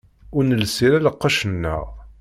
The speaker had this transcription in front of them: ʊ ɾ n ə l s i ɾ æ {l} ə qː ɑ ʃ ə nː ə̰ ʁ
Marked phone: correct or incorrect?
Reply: correct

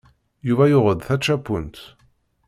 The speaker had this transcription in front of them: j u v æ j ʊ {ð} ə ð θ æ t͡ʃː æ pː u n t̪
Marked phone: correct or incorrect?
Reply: incorrect: ʁ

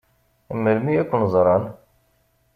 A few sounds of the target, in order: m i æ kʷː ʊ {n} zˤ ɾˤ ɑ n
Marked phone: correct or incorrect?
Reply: correct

